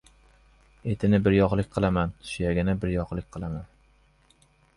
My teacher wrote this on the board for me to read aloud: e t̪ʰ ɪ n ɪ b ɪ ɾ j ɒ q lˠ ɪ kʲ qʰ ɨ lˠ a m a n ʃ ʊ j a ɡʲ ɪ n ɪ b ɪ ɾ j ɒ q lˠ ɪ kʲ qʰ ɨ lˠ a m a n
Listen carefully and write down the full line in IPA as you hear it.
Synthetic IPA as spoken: e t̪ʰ ɪ n ɪ b ɪ ɾ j ɒ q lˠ ɪ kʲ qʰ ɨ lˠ a m a n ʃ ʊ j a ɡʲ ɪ n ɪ b ɪ ɾ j ɒ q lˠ ɪ kʲ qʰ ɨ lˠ a m a n